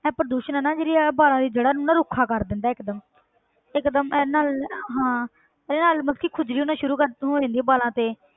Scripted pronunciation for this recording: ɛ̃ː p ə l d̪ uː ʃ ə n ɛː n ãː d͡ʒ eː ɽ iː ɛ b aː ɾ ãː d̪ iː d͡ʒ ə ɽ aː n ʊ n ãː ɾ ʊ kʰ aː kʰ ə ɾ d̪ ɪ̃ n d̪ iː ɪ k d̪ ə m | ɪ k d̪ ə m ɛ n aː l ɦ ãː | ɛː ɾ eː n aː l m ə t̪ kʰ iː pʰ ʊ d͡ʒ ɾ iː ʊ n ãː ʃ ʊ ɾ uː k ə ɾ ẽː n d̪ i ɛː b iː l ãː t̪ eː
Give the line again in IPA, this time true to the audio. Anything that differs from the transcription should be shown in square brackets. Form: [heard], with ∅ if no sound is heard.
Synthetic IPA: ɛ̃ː p ə [ɾ] d̪ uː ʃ ə n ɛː n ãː d͡ʒ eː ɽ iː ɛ b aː [l] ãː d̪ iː d͡ʒ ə ɽ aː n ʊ n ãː ɾ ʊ kʰ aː [k] ə ɾ d̪ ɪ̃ n d̪ [aː] ɪ k d̪ ə m | ɪ k d̪ ə m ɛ n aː l ɦ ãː | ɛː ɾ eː n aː l m ə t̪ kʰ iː [kʰ] ʊ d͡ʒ ɾ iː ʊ n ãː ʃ ʊ ɾ uː k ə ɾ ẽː n d̪ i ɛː b [aː] l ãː t̪ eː